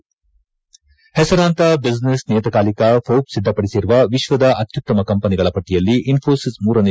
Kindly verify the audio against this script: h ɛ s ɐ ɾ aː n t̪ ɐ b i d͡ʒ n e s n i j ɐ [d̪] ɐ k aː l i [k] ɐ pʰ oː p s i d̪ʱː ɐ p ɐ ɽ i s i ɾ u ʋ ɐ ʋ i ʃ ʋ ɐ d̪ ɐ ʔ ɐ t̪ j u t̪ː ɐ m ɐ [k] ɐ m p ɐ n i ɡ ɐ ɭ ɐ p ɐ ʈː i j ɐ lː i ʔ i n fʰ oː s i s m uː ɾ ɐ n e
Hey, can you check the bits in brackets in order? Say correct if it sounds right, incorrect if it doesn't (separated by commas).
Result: incorrect, correct, correct